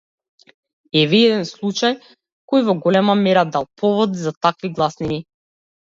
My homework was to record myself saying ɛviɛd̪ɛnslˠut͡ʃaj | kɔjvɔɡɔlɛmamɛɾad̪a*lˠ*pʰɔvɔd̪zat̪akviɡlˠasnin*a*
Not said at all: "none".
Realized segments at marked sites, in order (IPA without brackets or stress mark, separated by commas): lˠ, i